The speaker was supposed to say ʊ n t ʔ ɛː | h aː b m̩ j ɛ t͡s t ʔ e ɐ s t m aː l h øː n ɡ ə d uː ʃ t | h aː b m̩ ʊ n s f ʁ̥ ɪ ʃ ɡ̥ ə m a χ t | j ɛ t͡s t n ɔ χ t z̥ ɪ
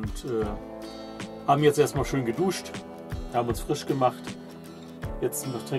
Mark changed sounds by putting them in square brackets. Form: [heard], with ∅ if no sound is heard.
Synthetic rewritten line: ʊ n t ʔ ɛː | h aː b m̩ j ɛ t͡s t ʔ e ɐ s t m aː l [ʃ] øː n ɡ ə d uː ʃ t | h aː b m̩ ʊ n s f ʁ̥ ɪ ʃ ɡ̥ ə m a χ t | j ɛ t͡s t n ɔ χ t [ʁ̥] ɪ